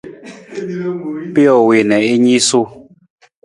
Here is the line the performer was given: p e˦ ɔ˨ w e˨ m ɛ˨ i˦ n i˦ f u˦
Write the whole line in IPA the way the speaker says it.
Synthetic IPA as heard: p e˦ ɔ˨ w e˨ n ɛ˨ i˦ ɲ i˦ s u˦